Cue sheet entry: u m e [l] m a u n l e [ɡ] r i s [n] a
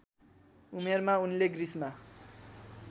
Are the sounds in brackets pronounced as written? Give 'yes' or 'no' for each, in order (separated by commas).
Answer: no, yes, no